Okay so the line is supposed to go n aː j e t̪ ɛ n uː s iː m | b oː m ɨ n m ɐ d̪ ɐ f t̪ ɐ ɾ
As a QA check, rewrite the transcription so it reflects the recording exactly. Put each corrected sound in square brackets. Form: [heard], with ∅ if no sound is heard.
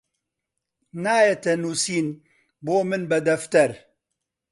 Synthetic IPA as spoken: n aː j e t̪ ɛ n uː s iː [n] | b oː m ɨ n [b] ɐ d̪ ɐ f t̪ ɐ ɾ